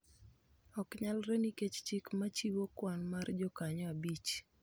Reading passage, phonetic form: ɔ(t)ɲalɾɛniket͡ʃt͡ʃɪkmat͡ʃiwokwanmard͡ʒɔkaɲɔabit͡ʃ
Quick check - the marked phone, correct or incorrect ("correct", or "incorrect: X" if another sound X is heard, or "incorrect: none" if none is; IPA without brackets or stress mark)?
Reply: incorrect: k